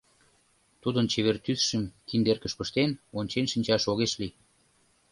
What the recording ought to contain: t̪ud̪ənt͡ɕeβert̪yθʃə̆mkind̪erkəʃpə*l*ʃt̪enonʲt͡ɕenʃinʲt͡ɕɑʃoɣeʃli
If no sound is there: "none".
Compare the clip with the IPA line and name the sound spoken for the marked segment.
none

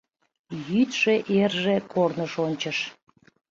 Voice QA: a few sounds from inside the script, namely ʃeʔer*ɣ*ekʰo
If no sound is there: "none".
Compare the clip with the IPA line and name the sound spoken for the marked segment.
ʒ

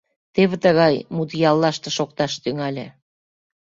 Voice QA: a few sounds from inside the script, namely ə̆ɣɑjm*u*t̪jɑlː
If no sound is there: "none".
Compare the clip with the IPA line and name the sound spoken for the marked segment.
u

